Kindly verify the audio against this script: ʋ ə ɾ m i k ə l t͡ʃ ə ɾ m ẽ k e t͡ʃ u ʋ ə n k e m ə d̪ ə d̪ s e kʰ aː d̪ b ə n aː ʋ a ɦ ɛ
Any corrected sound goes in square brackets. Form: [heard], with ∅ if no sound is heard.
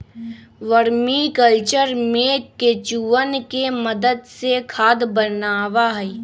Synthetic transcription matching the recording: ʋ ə ɾ m i k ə l t͡ʃ ə ɾ m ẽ k e t͡ʃ u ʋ ə n k e m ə d̪ ə d̪ s e kʰ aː d̪ b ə n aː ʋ a ɦ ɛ

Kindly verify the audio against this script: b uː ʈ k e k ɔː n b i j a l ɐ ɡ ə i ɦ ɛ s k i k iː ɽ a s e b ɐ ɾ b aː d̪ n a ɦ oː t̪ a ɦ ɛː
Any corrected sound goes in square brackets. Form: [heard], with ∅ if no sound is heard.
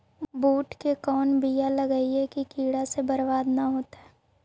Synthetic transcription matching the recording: b uː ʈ k e k ɔː n b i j a l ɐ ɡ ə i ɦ ɛ [∅] k i k iː ɽ a s e b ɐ ɾ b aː d̪ n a ɦ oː t̪ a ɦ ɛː

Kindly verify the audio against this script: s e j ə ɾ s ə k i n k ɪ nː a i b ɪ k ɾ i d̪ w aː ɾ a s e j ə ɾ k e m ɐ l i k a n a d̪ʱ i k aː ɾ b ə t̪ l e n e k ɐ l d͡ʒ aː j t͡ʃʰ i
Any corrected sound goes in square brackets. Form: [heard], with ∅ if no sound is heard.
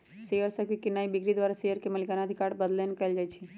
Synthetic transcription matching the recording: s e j ə ɾ s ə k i [∅] k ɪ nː a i b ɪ k ɾ i d̪ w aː ɾ a s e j ə ɾ k e m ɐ l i k a n a d̪ʱ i k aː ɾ b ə [d̪] l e n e k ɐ l d͡ʒ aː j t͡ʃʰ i

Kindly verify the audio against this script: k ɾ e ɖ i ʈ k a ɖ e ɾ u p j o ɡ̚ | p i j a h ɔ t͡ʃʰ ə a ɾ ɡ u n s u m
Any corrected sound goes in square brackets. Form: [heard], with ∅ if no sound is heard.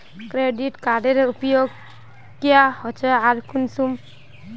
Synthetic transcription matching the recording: k ɾ e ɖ i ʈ k a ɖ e ɾ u p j o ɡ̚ | [k] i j a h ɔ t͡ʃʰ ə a ɾ [k] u n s u m

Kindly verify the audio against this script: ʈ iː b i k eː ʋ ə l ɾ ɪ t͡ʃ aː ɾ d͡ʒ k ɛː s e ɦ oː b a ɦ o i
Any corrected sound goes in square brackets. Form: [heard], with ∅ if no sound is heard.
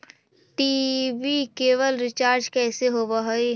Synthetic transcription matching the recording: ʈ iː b i k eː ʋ ə l ɾ ɪ t͡ʃ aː ɾ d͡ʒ k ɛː s e ɦ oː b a ɦ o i

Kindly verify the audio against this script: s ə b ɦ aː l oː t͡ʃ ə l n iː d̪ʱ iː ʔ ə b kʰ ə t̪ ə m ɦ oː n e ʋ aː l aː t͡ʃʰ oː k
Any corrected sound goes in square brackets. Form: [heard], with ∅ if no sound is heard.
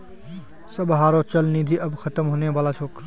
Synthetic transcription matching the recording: s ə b ɦ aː [ɾ] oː t͡ʃ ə l n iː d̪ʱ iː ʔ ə b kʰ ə t̪ ə m ɦ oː n e ʋ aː l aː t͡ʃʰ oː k

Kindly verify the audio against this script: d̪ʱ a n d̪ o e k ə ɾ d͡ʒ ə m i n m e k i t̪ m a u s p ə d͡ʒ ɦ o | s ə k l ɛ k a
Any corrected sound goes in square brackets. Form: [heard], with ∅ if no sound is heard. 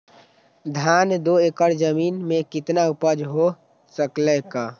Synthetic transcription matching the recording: d̪ʱ a n d̪ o e k ə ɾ d͡ʒ ə m i n m e k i t̪ [n] a u [∅] p ə d͡ʒ ɦ o | s ə k l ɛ k a

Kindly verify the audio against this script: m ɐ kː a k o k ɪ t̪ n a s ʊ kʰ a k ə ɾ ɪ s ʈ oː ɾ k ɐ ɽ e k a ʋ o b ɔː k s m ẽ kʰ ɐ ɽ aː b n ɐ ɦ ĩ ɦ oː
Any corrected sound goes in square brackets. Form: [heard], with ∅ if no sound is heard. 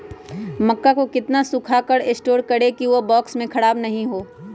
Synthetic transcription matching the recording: m ɐ kː a k o k ɪ t̪ n a s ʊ kʰ a k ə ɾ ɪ s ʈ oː ɾ k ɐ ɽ e k [i] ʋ o b ɔː k s m ẽ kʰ ɐ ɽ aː b n ɐ ɦ ĩ ɦ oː

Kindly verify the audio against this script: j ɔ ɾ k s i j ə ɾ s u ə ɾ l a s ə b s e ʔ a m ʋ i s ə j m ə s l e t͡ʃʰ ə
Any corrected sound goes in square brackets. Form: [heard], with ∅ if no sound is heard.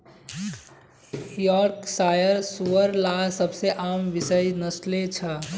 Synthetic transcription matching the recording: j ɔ ɾ k s [a] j ə ɾ s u ə ɾ l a s ə b s e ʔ a m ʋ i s ə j [n] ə s l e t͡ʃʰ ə

